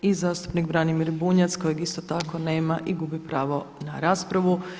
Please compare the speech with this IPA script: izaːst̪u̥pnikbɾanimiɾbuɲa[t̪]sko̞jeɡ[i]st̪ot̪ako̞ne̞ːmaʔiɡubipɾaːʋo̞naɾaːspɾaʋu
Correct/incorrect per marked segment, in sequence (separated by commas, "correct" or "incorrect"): correct, correct